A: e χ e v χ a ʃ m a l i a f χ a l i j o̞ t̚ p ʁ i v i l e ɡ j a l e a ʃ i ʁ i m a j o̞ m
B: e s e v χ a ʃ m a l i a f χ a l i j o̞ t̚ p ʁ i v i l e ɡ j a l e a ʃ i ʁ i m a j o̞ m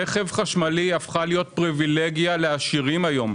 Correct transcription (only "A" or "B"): A